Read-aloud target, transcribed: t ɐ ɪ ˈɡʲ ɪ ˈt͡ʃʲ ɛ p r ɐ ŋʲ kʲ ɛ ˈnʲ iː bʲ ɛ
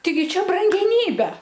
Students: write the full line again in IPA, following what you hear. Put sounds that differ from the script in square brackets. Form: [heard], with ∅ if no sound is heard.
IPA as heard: t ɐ ɪ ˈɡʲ ɪ ˈt͡ʃʲ ɛ [b] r ɐ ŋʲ [ɡʲ] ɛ ˈnʲ iː bʲ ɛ